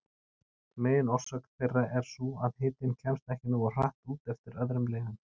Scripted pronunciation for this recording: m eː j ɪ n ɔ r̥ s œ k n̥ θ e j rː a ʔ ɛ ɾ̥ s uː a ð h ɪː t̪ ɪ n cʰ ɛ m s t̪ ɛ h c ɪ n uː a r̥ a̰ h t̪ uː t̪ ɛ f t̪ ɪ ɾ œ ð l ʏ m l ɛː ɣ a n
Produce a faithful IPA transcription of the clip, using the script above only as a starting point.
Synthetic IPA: m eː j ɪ n ɔ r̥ s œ k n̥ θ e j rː a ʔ ɛ ɾ̥ s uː a ð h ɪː t̪ ɪ n cʰ ɛ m s t̪ ɛ h c ɪ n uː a r̥ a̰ h t̪ uː t̪ ɛ f t̪ ɪ ɾ œ ð ɾ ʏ m l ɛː ɣ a n